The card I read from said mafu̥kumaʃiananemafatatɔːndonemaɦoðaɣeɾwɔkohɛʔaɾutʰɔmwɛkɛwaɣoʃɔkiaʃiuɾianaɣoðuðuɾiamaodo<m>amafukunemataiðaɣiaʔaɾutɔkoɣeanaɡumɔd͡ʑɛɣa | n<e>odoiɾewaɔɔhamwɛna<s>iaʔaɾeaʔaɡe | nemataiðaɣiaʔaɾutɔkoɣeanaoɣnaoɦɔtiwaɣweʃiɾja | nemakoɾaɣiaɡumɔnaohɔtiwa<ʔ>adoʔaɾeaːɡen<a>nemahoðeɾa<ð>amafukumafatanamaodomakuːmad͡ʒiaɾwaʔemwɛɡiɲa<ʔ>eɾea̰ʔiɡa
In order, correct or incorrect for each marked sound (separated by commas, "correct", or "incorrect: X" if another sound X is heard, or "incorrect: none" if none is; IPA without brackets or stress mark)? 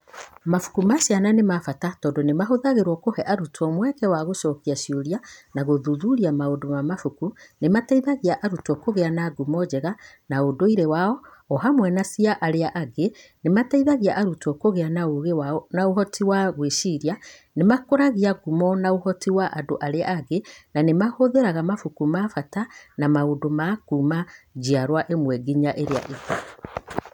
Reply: correct, incorrect: a, correct, correct, correct, incorrect: ɣ, correct